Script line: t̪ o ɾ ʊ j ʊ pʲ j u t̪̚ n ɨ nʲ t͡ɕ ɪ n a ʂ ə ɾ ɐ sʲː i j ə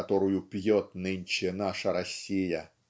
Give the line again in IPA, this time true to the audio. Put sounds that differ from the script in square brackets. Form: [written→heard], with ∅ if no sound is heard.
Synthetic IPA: t̪ o ɾ ʊ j ʊ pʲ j [u→o] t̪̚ n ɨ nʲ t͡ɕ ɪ n a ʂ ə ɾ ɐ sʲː i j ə